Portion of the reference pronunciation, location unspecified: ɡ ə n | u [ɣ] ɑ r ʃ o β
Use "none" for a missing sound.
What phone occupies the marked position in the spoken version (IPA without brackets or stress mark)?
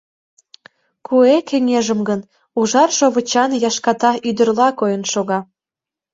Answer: ʒ